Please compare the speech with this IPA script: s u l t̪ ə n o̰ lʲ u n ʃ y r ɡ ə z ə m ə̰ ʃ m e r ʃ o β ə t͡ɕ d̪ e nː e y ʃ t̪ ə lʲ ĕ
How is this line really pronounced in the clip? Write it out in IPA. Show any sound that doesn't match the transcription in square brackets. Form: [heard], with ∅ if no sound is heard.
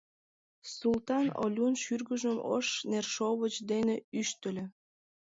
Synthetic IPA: s u l t̪ [ɑ] n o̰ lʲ u n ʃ y r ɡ ə [ʒ] ə m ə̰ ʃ [n] e r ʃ o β ə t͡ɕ d̪ e [n] e y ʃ t̪ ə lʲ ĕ